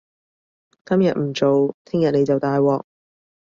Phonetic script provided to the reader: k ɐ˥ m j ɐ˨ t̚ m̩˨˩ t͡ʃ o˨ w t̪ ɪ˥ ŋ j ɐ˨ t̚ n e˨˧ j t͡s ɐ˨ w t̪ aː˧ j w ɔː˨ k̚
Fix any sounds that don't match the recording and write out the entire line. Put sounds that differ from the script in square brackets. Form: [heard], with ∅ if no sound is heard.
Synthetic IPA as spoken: k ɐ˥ m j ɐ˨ t̚ m̩˨˩ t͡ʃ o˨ w [t̪ʰ] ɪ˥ ŋ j ɐ˨ t̚ n e˨˧ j t͡s ɐ˨ w t̪ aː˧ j w ɔː˨ k̚